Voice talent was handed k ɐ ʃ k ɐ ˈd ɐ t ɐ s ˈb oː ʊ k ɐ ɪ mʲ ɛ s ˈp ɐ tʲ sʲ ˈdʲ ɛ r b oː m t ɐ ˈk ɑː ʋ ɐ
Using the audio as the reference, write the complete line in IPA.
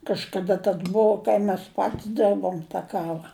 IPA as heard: k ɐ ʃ k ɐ ˈd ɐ t ɐ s ˈb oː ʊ k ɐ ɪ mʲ ɛ s ˈp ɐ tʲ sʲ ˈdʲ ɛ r b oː m t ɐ ˈk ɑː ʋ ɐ